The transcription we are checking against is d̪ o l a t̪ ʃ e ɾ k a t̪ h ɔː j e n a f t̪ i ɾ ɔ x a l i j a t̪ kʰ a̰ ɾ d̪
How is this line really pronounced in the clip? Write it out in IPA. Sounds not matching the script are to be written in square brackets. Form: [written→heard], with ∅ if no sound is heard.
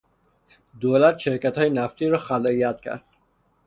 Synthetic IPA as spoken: d̪ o l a t̪ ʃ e ɾ k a t̪ h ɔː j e n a f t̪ i ɾ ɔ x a l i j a t̪ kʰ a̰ ɾ d̪